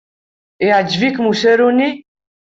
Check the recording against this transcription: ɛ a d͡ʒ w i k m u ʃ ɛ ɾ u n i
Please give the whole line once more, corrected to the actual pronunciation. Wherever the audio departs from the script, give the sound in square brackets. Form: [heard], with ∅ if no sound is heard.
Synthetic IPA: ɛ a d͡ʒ [v] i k m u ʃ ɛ ɾ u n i